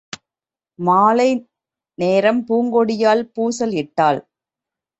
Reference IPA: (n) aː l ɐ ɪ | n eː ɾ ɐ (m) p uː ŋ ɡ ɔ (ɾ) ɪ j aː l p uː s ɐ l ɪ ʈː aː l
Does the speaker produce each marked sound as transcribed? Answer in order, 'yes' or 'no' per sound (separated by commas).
no, yes, no